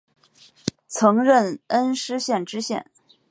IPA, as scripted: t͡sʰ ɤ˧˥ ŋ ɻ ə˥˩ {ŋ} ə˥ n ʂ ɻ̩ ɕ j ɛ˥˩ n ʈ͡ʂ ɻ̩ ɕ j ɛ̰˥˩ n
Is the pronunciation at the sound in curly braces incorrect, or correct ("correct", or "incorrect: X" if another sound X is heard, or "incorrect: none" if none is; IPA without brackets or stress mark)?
incorrect: n